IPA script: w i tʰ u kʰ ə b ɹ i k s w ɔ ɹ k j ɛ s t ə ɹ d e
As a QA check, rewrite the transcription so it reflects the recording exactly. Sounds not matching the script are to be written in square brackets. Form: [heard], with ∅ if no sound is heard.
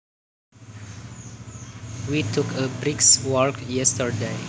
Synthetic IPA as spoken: w i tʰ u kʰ ə b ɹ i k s w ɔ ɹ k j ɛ s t ə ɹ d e